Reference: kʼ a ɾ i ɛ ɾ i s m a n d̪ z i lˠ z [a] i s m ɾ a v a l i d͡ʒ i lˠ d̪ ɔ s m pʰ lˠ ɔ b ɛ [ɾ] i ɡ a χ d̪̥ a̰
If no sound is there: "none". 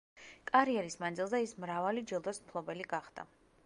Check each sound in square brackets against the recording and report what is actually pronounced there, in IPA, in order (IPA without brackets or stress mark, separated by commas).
ɛ, l